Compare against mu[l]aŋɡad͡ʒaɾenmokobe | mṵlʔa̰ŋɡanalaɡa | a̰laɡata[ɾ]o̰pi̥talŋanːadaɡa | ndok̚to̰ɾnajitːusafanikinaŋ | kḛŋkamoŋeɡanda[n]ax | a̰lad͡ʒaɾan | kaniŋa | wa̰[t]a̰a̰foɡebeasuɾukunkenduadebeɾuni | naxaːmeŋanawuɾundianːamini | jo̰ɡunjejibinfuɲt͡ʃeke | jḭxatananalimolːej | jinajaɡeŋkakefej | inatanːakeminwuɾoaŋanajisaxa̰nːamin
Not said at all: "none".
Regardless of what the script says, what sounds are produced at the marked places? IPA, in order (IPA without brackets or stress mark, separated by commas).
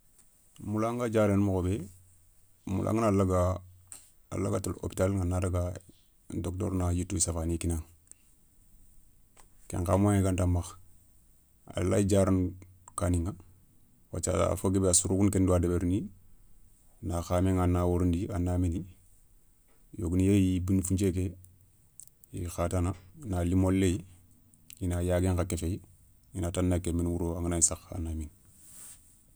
l, l, m, t͡ʃ